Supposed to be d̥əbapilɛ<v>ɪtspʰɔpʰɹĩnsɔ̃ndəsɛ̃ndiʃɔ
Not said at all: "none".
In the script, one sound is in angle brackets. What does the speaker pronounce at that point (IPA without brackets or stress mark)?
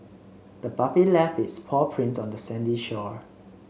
f